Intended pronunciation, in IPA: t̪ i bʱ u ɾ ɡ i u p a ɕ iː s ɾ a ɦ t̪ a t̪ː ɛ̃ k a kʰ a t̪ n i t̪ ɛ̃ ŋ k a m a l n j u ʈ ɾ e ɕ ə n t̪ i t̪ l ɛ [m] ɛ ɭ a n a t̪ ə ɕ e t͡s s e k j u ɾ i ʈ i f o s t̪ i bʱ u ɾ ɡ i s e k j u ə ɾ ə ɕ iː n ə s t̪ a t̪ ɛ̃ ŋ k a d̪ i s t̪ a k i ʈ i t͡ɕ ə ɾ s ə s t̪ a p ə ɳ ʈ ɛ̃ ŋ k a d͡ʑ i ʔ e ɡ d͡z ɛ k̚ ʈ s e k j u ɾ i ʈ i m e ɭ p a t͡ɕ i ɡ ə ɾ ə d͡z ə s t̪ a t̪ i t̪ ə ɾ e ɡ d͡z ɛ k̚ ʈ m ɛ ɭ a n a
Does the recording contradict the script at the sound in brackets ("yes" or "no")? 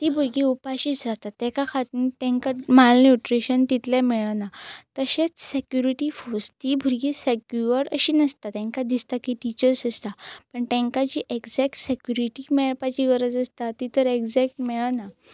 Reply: no